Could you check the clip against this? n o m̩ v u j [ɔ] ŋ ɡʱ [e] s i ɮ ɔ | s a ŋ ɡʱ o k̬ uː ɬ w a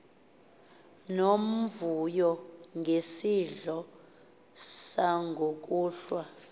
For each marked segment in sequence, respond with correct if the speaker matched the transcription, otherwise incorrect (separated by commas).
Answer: correct, correct